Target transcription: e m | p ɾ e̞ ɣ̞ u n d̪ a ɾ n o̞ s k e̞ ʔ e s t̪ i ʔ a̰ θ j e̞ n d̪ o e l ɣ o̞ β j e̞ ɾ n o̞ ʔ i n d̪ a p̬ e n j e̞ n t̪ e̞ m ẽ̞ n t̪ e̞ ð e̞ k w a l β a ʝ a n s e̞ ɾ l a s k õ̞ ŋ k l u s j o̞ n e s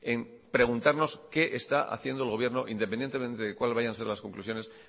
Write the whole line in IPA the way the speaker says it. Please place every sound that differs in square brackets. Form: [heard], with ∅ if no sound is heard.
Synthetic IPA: e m | p ɾ e̞ ɣ̞ u n [t̪] a ɾ n o̞ s k e̞ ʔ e s t̪ [a] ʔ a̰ θ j e̞ n d̪ o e l ɣ o̞ β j e̞ ɾ n o̞ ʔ i n d̪ [e] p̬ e n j e̞ n t̪ e̞ m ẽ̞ n t̪ e̞ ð e̞ k w a l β a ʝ a n s e̞ ɾ l a s k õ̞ ŋ k l u s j o̞ n e s